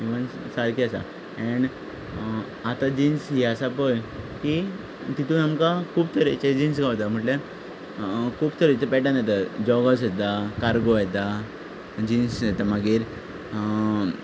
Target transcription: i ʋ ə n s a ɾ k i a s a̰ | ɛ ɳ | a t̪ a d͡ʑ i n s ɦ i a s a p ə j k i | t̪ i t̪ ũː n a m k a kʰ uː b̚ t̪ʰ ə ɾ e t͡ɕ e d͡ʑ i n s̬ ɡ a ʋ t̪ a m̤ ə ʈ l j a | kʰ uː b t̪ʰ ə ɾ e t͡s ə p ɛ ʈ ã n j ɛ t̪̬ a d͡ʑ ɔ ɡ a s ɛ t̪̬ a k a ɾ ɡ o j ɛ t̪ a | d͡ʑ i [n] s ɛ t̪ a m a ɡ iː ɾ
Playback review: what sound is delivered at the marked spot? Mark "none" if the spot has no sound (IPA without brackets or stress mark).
n